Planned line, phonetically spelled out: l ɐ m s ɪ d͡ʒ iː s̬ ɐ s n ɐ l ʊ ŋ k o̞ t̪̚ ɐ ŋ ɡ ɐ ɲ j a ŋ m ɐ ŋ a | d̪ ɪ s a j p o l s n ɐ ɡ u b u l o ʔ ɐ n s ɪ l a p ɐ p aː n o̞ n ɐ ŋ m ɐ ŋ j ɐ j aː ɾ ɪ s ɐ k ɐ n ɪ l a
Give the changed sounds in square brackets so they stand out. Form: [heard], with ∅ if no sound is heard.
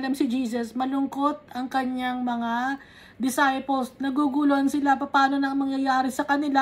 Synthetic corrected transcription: l ɐ m s ɪ d͡ʒ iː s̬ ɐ s [m] ɐ l ʊ ŋ k o̞ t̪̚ ɐ ŋ [k] ɐ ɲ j a ŋ m ɐ ŋ a | d̪ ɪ s a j p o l s n ɐ ɡ u [ɡ] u l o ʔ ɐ n s ɪ l a p ɐ p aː n o̞ n ɐ ŋ m ɐ ŋ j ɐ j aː ɾ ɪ s ɐ k ɐ n ɪ l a